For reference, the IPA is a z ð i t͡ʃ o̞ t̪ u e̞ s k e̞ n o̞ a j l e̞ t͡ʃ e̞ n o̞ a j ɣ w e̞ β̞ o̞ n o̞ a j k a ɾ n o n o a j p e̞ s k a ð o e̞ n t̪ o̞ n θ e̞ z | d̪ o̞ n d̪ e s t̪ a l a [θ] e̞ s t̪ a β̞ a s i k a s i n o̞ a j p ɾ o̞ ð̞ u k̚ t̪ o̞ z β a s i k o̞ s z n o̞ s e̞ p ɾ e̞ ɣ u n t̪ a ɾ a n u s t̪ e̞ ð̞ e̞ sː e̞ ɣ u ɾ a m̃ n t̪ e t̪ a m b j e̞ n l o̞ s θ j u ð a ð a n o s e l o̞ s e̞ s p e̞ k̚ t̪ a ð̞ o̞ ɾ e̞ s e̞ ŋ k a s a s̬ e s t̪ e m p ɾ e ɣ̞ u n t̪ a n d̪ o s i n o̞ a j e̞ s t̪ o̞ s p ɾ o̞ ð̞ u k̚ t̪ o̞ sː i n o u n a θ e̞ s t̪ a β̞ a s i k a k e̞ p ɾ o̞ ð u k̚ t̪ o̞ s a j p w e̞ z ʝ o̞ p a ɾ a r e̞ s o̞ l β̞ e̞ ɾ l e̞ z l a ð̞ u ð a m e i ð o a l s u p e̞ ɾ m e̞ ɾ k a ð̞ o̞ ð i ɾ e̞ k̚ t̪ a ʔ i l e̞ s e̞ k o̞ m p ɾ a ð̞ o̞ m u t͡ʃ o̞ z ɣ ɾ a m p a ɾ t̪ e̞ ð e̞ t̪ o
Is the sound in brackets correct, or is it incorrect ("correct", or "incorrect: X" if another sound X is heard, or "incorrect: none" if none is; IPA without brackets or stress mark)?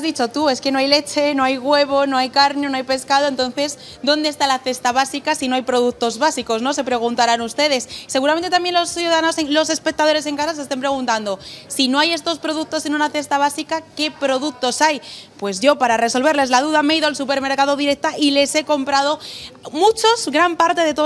correct